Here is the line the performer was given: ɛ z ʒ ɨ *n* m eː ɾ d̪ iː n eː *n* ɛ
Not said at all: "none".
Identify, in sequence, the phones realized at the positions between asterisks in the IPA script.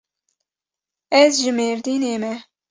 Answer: none, m

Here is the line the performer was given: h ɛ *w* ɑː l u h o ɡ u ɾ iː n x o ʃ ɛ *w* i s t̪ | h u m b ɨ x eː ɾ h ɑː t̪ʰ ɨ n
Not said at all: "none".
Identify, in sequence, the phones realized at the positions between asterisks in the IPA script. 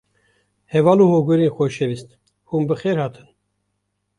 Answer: v, v

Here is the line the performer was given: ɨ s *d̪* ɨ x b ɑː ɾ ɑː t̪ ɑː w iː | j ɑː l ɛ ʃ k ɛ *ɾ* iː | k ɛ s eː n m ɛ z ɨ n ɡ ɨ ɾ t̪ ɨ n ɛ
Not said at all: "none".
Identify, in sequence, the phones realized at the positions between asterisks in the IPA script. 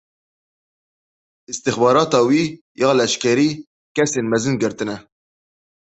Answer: t̪, ɾ

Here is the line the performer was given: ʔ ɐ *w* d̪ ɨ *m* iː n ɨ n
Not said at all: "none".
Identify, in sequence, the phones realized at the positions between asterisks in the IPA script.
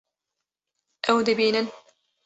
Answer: w, b

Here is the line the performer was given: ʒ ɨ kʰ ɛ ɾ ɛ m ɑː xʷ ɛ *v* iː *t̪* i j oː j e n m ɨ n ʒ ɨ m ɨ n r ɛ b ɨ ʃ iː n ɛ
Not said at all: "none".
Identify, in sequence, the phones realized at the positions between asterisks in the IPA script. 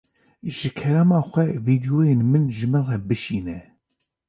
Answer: v, d̪

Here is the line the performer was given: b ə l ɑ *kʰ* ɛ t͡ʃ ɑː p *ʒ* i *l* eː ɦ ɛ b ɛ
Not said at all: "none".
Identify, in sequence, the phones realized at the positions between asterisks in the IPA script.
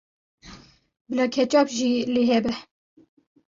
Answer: kʰ, ʒ, l

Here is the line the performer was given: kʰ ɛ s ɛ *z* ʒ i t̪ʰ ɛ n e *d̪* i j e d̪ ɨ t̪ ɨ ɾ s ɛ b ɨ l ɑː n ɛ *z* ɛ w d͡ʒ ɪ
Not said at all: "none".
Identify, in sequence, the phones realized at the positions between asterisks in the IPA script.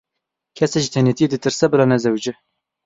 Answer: none, t̪, z

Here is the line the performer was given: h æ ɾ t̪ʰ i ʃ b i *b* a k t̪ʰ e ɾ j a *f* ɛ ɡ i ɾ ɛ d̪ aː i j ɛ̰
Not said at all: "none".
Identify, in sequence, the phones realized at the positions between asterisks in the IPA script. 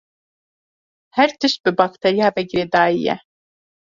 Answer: b, v

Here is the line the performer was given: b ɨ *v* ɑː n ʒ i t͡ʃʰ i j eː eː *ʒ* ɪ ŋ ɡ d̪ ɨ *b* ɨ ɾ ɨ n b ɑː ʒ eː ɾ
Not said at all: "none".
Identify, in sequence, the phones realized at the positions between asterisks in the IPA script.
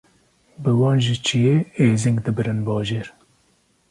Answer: w, z, b

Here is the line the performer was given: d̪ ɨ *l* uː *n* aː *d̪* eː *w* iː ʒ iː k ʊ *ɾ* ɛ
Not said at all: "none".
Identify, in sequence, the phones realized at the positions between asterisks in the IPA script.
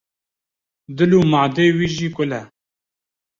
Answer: l, m, d̪, w, l

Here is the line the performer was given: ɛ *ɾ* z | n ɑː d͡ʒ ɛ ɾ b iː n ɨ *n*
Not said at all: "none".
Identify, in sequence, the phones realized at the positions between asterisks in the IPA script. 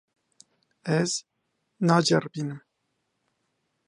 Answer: none, m

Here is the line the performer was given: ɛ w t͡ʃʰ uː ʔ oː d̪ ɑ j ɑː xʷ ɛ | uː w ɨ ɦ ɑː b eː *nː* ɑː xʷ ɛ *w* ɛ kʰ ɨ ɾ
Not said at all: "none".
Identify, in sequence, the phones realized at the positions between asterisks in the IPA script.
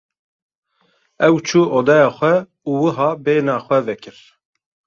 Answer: n, v

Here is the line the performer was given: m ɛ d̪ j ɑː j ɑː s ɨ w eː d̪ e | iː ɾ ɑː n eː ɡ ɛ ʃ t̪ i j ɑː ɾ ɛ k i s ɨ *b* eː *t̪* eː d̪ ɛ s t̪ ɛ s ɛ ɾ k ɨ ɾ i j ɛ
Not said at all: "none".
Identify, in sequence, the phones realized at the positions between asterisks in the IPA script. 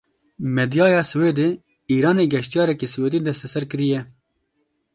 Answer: w, d̪

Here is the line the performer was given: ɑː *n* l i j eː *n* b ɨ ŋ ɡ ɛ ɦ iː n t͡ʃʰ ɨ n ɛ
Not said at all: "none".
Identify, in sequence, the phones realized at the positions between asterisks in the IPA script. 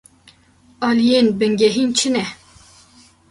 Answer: none, n

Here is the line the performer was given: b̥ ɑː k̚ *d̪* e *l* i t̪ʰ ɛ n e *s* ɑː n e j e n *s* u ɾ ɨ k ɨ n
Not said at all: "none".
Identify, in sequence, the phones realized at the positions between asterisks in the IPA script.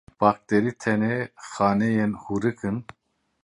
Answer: t̪, ɾ, x, h

